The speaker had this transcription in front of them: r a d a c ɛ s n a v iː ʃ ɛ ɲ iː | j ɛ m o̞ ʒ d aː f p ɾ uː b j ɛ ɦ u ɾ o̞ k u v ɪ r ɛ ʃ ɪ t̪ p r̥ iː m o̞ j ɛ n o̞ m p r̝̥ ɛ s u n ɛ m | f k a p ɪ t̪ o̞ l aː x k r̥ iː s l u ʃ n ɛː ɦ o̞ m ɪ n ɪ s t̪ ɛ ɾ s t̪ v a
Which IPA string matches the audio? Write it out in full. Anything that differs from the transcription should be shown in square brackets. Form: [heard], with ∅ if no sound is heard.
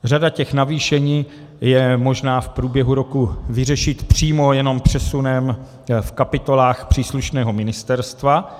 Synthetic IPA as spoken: r a d a c ɛ [x] n a v iː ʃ ɛ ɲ iː | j ɛ m o̞ ʒ [n] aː f p ɾ uː b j ɛ ɦ u ɾ o̞ k u v ɪ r ɛ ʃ ɪ t̪ p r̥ iː m o̞ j ɛ n o̞ m p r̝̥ ɛ s u n ɛ m | f k a p ɪ t̪ o̞ l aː x [p] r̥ iː s l u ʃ n ɛː ɦ o̞ m ɪ n ɪ s t̪ ɛ ɾ s t̪ v a